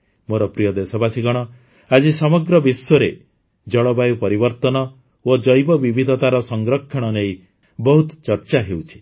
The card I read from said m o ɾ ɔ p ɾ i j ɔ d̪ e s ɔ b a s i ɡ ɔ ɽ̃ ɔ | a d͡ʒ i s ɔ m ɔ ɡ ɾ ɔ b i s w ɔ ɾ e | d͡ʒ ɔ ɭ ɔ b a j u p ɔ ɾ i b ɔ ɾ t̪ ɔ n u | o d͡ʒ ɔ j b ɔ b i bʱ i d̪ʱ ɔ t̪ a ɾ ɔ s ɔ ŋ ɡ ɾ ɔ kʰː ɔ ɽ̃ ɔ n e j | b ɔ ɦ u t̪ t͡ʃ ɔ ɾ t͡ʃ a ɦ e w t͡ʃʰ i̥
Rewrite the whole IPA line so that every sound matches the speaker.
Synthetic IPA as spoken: m o ɾ ɔ p ɾ i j ɔ d̪ e s ɔ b a s i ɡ ɔ ɽ̃ ɔ | a d͡ʒ i s ɔ m ɔ ɡ ɾ ɔ b i s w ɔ ɾ e | d͡ʒ ɔ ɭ ɔ b a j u p ɔ ɾ i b ɔ ɾ t̪ ɔ n ɔ | o d͡ʒ ɔ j b ɔ b i bʱ i d̪ʱ ɔ t̪ a ɾ ɔ s ɔ ŋ ɡ ɾ ɔ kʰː ɔ ɽ̃ ɔ n e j | b ɔ ɦ u t̪ t͡ʃ ɔ ɾ t͡ʃ a ɦ e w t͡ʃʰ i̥

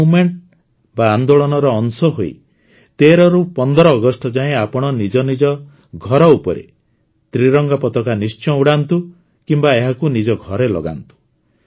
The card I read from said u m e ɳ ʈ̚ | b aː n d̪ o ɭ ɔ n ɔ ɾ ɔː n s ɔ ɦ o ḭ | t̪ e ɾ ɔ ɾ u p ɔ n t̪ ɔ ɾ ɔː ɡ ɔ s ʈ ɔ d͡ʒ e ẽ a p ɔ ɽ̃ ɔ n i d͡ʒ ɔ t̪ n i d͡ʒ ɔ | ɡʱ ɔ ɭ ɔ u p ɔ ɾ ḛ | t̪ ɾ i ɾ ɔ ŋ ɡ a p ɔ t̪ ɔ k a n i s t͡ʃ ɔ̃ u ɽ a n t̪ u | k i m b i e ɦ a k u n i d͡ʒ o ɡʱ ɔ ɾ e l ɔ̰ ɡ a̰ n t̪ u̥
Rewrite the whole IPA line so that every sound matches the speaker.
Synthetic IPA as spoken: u m e ɳ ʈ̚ | b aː n d̪ o ɭ ɔ n ɔ ɾ ɔː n s ɔ ɦ o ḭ | t̪ e ɾ ɔ ɾ u p ɔ n d̪ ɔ ɾ ɔː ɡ ɔ s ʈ ɔ d͡ʒ a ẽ a p ɔ ɽ̃ ɔ n i d͡ʒ ɔ n i d͡ʒ ɔ | ɡʱ ɔ ɾ ɔ u p ɔ ɾ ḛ | t̪ ɾ i ɾ ɔ ŋ ɡ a p ɔ t̪ ɔ k a n i s t͡ʃ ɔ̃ u ɽ a n t̪ u | k i m b a e ɦ a k u n i d͡ʒ ɔ ɡʱ ɔ ɾ e l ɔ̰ ɡ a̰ n t̪ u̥

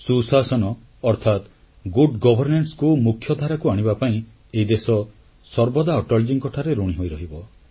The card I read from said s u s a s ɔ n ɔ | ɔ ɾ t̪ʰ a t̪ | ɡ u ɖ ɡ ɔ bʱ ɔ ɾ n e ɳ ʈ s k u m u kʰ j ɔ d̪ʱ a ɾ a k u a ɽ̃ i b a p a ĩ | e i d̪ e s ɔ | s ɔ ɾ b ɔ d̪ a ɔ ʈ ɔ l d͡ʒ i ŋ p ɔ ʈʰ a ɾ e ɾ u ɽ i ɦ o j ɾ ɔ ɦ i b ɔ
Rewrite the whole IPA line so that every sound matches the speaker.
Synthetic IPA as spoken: s u s a s ɔ n ɔ | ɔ ɾ t̪ʰ a t̪ | ɡ u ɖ ɡ ɔ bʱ ɔ ɾ n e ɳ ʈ s k u m u kʰ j ɔ d̪ʱ a ɾ a k u a ɽ̃ i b a p a ĩ | e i d̪ e s ɔ | s ɔ ɾ b ɔ d̪ a ɔ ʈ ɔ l d͡ʒ i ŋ k ɔ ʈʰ a ɾ e ɾ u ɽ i ɦ o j ɾ ɔ ɦ i b ɔ

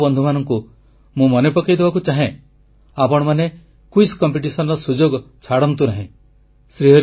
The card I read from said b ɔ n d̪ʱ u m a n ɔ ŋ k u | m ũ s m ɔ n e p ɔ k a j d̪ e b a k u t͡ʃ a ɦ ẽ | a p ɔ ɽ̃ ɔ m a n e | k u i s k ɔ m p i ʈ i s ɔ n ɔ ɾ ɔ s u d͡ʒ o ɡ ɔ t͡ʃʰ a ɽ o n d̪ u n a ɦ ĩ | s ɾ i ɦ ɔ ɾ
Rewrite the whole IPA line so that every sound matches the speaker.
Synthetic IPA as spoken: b ɔ n d̪ʱ u m a n ɔ ŋ k u | m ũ m ɔ n e p ɔ k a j d̪ e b a k u t͡ʃ a ɦ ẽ | a p ɔ ɽ̃ ɔ m a n e | k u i s k ɔ m p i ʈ i s ɔ n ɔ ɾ ɔ s u d͡ʒ o ɡ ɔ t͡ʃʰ a ɽ ɔ n t̪ u n a ɦ ĩ | s ɾ i ɦ ɔ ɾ

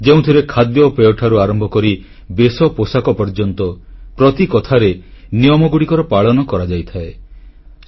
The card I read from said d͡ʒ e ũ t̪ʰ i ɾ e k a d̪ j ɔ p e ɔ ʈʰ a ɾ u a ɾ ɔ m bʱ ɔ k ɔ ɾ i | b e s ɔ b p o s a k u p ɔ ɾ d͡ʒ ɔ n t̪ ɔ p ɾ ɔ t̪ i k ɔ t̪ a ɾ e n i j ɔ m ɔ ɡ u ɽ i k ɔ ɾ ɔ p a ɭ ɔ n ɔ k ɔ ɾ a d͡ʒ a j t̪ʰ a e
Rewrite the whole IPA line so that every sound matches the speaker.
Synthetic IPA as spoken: d͡ʒ e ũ t̪ʰ i ɾ e kʰ a d̪ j ɔ p e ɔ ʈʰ a ɾ u a ɾ ɔ m bʱ ɔ k ɔ ɾ i | b e s ɔ p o s a k ɔ p ɔ ɾ d͡ʒ ɔ n t̪ ɔ p ɾ ɔ t̪ i k ɔ t̪ʰ a ɾ e n i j ɔ m ɔ ɡ u ɽ i k ɔ ɾ ɔ p a ɭ ɔ n ɔ k ɔ ɾ a d͡ʒ a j t̪ʰ a e

